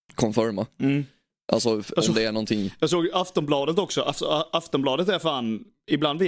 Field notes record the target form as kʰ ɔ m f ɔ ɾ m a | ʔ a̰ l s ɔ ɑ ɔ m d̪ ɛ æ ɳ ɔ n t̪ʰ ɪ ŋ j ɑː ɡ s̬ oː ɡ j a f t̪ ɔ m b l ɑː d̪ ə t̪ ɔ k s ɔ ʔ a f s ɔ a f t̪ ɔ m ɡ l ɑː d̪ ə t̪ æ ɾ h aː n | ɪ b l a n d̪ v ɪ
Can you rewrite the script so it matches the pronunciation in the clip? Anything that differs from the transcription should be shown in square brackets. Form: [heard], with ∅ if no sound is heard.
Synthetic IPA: kʰ ɔ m f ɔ ɾ m a | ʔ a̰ l s ɔ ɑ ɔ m d̪ ɛ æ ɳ ɔ n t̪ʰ ɪ ŋ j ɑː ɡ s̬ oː ɡ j a f t̪ ɔ m b l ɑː d̪ ə t̪ ɔ k s ɔ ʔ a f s ɔ a f t̪ ɔ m [b] l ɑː d̪ ə t̪ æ ɾ [f] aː n | ɪ b l a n d̪ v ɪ